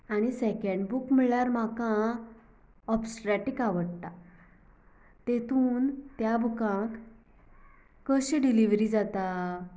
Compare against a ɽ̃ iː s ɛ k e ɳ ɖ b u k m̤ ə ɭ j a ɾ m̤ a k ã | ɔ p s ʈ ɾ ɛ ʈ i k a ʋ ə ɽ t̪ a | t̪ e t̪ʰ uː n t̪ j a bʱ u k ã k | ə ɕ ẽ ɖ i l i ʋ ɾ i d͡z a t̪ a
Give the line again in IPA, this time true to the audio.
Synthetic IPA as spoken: a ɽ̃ i s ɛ k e ɳ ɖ b u k m̤ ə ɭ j a ɾ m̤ a k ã | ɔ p s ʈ ɾ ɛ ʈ i k a ʋ ə ɽ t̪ a | t̪ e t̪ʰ uː n t̪ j a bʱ u k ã k | ə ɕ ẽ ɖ i l i ʋ ɾ i d͡z a t̪ a